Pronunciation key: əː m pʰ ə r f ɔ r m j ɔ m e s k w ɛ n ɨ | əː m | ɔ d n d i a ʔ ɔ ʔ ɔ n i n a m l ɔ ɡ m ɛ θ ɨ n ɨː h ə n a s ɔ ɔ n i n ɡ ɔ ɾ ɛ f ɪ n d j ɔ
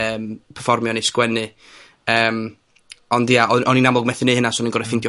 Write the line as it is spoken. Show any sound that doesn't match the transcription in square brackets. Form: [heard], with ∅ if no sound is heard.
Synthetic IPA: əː m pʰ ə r f ɔ r m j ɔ [n] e s k w ɛ n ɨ | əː m | ɔ [∅] n d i a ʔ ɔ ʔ ɔ n i n a m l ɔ ɡ m ɛ θ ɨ n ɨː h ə n a s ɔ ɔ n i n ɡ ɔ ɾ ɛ f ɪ n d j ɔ